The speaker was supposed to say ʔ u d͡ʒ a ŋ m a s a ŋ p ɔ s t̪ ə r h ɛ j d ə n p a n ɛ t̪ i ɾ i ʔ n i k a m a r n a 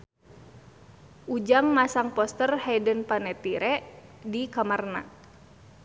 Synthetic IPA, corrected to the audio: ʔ u d͡ʒ a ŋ m a s a ŋ p ɔ s t̪ ə r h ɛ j d ə n p a n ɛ t̪ i ɾ ɛ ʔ d i k a m a r n a